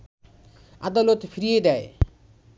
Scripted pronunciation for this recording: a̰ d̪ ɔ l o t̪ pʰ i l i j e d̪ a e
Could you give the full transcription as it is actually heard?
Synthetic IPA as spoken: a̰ d̪ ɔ l o t̪ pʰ i ɾ i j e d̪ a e